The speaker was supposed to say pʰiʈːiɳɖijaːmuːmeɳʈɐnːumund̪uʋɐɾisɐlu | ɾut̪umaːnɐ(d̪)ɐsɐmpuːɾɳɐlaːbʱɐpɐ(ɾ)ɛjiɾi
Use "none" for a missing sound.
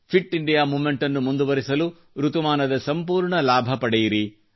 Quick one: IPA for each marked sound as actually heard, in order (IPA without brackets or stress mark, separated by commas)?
d̪, ɽ